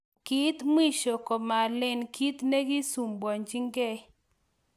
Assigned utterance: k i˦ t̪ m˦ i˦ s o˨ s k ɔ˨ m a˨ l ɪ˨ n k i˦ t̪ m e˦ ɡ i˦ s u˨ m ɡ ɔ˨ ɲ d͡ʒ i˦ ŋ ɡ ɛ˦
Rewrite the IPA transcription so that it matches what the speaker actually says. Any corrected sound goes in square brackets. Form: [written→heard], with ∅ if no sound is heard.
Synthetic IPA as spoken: k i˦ t̪ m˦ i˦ [s→ʃ] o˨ [s→∅] k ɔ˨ m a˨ l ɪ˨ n k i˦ t̪ [m→n] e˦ ɡ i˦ s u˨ m [ɡ→b] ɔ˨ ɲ d͡ʒ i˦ ŋ ɡ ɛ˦